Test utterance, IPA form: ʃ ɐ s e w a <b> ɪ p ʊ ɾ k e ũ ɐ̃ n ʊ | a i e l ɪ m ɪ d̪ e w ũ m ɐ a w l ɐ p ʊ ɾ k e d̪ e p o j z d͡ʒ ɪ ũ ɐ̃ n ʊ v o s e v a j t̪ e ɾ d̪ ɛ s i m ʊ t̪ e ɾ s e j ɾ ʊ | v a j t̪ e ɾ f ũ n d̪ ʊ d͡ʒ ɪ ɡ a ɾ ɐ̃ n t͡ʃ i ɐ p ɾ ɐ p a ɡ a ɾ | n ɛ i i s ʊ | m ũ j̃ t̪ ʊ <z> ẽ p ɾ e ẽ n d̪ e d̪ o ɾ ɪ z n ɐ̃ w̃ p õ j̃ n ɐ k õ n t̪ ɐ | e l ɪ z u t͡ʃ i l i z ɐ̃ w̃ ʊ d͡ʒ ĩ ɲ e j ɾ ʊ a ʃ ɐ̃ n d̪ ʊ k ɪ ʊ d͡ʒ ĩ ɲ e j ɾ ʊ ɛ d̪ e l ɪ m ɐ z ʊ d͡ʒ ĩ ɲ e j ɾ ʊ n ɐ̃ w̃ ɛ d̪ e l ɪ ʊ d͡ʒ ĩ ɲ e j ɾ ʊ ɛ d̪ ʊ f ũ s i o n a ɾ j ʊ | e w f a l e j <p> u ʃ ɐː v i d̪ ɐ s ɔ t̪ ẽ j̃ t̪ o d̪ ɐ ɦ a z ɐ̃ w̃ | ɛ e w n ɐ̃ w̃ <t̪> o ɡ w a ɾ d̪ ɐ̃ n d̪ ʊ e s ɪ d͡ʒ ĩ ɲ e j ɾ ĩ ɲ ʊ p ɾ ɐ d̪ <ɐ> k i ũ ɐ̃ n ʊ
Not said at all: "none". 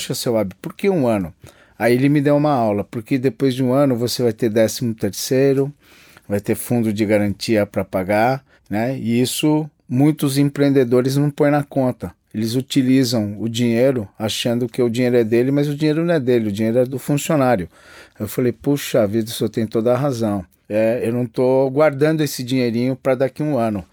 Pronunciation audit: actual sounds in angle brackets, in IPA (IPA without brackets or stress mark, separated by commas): b, z, p, t̪, a